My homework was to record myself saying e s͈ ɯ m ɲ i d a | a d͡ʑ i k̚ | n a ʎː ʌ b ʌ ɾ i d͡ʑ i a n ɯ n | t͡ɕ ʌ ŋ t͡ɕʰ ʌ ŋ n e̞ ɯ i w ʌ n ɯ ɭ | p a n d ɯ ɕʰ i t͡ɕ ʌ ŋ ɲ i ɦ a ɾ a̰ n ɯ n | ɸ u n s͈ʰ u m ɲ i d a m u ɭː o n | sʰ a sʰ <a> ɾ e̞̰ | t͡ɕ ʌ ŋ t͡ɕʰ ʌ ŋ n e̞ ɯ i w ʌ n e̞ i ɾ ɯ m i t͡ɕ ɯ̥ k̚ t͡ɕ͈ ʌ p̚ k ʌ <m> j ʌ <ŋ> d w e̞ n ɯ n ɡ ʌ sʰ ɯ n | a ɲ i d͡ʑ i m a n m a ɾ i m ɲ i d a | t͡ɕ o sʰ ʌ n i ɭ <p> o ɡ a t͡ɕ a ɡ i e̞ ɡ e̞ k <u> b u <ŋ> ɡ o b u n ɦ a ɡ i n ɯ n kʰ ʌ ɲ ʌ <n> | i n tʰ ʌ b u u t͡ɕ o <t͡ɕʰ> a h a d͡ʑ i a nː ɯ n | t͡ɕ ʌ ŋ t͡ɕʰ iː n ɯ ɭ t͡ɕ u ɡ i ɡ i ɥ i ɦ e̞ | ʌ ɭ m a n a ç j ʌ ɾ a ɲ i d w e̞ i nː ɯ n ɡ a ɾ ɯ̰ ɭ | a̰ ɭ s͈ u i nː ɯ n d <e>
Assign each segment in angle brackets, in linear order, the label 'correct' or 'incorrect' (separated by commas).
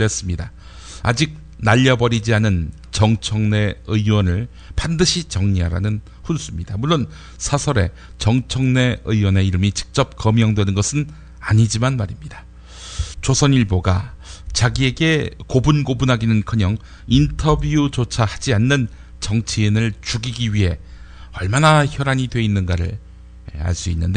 incorrect, correct, correct, incorrect, incorrect, incorrect, incorrect, correct, correct